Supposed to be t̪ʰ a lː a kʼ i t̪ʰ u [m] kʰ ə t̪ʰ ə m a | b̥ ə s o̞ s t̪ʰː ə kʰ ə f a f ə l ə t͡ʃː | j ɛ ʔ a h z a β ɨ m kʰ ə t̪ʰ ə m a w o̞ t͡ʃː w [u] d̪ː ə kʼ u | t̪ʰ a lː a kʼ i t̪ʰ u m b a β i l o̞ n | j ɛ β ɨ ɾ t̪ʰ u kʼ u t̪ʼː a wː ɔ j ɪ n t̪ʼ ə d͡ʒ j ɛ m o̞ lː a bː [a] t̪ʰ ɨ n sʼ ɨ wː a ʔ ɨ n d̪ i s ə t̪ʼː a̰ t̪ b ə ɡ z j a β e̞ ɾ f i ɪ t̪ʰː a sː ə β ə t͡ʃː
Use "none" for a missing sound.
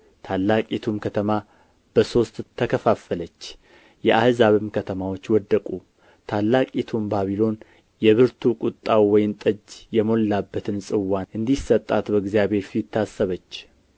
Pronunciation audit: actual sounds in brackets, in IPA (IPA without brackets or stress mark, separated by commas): m, ɔ, ə